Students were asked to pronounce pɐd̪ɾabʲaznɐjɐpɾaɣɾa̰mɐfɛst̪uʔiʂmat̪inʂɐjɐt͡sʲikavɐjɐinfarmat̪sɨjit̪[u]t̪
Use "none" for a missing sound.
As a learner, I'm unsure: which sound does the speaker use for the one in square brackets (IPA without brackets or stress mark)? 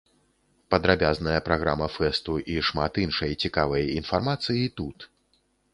u